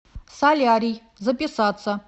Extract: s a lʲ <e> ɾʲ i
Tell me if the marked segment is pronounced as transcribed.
no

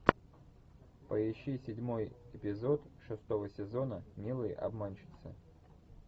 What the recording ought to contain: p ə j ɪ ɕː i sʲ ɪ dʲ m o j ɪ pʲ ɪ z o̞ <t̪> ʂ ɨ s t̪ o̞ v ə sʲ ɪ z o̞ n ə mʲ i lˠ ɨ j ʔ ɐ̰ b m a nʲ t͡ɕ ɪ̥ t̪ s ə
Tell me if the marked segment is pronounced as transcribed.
yes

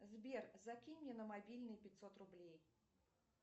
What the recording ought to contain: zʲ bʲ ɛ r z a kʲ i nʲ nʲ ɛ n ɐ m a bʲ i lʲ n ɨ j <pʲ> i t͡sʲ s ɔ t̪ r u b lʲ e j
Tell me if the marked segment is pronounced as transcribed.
yes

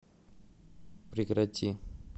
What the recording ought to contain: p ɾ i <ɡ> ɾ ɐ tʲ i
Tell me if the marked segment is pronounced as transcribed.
no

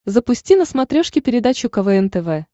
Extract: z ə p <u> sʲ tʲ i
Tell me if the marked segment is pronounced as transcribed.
no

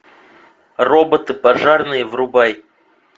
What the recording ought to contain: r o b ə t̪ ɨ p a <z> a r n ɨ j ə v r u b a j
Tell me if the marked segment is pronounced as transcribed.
no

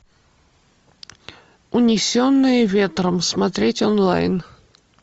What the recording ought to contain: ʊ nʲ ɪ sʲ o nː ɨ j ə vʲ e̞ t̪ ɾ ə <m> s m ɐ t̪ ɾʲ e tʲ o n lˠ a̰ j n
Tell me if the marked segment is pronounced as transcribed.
yes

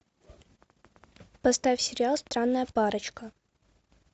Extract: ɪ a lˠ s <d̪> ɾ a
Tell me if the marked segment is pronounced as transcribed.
no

